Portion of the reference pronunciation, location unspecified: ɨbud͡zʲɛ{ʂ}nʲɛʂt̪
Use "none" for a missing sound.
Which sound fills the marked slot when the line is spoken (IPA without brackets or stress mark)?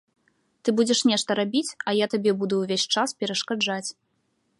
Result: ʂ